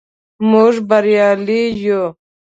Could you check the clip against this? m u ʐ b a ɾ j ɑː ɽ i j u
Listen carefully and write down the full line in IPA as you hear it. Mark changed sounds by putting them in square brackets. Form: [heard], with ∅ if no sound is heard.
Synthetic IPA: m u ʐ b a ɾ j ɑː [l] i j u